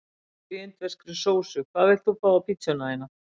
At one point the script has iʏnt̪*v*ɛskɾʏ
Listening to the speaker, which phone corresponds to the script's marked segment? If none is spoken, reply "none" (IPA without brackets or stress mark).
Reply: v